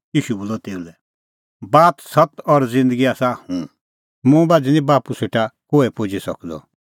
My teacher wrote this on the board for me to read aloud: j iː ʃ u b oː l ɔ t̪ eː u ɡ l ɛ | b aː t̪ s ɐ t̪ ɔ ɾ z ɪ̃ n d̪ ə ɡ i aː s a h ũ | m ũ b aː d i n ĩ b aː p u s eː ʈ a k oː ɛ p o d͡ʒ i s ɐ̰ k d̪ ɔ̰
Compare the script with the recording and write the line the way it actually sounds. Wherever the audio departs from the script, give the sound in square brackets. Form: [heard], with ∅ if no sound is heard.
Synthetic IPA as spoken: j iː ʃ u b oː l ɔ t̪ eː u [∅] l ɛ | b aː t̪ s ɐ t̪ ɔ ɾ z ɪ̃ n d̪ ə ɡ i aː s a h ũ | m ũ b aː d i n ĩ b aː p u s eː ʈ a k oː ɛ p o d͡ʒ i s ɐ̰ k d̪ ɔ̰